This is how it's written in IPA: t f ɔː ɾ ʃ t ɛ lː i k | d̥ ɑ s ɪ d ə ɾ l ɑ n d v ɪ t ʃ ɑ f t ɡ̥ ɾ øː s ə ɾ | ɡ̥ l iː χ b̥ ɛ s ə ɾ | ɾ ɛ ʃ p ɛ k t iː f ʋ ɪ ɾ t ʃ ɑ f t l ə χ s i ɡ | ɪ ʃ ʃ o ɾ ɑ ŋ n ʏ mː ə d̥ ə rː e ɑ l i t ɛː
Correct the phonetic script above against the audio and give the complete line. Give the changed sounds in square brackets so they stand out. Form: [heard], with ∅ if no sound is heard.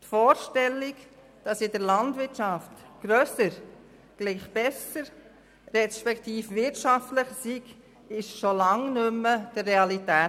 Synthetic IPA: t f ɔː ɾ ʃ t ɛ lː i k | d̥ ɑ s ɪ d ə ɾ l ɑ n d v ɪ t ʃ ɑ f t ɡ̥ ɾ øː s ə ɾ | ɡ̥ l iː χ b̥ ɛ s ə ɾ | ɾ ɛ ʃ p ɛ k t iː f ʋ ɪ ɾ t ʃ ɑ f t l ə χ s i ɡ | ɪ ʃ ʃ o [l] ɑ ŋ n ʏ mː ə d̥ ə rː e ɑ l i t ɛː